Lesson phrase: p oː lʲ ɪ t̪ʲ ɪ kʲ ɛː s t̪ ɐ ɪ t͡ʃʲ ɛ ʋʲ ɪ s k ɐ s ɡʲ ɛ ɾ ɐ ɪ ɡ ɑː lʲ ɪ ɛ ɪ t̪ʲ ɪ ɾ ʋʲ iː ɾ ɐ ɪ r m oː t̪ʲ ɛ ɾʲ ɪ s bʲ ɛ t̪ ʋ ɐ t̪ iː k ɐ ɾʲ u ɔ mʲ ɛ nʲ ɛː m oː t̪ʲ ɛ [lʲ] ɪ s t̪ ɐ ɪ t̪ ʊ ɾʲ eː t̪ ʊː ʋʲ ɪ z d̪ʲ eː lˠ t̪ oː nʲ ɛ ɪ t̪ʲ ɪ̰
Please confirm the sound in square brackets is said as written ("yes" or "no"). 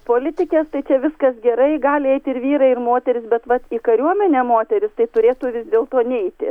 no